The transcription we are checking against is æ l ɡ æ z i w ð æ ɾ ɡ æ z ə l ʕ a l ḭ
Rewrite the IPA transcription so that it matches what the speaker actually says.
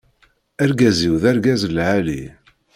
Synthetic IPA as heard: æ ɾ ɡ æ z i w ð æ ɾ ɡ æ z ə l ʕ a l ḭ